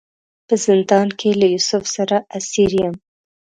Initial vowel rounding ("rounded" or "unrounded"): unrounded